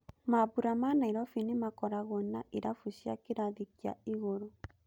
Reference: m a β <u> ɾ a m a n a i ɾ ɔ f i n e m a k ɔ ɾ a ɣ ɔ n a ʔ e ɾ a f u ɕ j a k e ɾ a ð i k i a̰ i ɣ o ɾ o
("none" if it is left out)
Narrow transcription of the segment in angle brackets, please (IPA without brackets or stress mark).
u